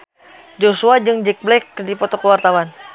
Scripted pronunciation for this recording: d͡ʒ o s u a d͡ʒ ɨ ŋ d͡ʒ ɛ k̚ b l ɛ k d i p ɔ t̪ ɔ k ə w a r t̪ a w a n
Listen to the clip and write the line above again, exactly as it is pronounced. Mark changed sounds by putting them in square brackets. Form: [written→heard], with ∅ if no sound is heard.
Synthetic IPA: d͡ʒ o s u a d͡ʒ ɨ ŋ d͡ʒ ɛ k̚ b l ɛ k d i p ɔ t̪ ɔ k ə w a r t̪ a w a n